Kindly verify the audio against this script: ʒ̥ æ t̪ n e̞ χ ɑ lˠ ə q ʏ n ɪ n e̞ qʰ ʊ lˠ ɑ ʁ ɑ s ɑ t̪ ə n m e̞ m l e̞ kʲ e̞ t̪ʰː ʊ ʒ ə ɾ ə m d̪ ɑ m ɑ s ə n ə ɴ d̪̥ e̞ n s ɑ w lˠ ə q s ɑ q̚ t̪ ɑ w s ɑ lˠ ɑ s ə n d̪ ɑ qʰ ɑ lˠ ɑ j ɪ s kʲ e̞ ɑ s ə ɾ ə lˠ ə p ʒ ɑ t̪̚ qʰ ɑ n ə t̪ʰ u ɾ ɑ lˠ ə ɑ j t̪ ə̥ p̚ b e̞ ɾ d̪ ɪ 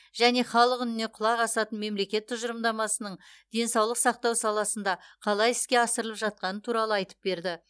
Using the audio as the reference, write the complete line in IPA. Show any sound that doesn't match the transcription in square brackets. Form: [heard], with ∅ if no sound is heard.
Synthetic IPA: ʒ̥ æ [∅] n e̞ χ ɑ lˠ ə q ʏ n ɪ n e̞ qʰ ʊ lˠ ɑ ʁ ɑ s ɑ t̪ ə n m e̞ m l e̞ kʲ e̞ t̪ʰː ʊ ʒ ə ɾ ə m d̪ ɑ m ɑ s ə n ə ɴ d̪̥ e̞ n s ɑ w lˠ ə q s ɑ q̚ t̪ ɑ w s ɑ lˠ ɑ s ə n d̪ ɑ qʰ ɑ lˠ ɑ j ɪ s kʲ e̞ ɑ s ə ɾ ə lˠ ə p ʒ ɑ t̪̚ [q] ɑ n ə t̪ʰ u ɾ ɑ lˠ ə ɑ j t̪ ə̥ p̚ b e̞ ɾ d̪ ɪ

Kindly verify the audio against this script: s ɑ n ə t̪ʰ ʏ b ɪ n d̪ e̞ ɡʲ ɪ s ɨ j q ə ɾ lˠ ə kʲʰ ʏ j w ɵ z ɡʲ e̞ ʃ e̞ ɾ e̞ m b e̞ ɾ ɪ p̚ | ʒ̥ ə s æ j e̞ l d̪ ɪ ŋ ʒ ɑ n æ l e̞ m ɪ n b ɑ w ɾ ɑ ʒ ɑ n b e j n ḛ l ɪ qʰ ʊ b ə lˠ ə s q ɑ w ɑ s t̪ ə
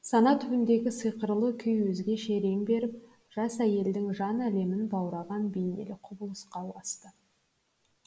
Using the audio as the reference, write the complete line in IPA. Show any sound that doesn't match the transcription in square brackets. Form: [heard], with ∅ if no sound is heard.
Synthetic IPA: s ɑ n [ɑ] t̪ʰ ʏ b ɪ n d̪ e̞ ɡʲ ɪ s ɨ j q ə ɾ lˠ ə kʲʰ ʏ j w ɵ z ɡʲ e̞ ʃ e̞ ɾ e̞ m b e̞ ɾ ɪ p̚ | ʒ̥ [ɑ] s æ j e̞ l d̪ ɪ ŋ ʒ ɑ n æ l e̞ m ɪ n b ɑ w ɾ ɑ [ʁ] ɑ n b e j n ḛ l ɪ qʰ ʊ b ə lˠ ə s q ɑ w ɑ s t̪ ə

